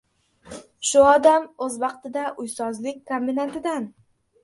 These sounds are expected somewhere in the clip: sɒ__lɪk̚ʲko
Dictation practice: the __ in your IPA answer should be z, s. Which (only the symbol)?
z